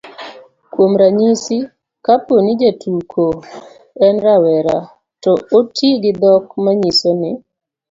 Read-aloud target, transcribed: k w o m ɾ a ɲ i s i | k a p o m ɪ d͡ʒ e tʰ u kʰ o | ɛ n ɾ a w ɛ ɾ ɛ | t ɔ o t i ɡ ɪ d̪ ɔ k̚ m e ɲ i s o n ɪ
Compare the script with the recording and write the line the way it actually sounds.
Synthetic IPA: k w o m ɾ a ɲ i s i | k a p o n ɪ d͡ʒ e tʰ u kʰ o | ɛ n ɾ a w ɛ ɾ a | t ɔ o t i ɡ ɪ d̪ ɔ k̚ m a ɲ i s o n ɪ